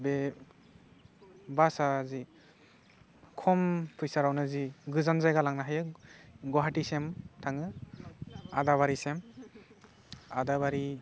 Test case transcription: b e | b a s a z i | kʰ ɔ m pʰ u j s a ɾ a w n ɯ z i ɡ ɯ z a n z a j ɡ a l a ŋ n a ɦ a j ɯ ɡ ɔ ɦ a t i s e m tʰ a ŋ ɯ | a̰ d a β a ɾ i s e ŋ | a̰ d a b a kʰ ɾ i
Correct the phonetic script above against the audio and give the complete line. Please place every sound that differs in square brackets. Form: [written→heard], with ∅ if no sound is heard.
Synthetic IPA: b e | b a s a z i | kʰ ɔ m pʰ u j s a ɾ a w n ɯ z i ɡ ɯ z a n z a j ɡ a l a ŋ n a ɦ a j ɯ ɡ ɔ ɦ a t i s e m tʰ a ŋ ɯ | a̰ d a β a ɾ i s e [ŋ→m] | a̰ d a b a [kʰ→∅] ɾ i